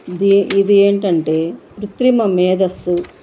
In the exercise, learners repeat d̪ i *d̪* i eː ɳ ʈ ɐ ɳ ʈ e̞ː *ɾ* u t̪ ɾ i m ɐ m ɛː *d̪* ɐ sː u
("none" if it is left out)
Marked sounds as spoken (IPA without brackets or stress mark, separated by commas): d̪, ɾ, d̪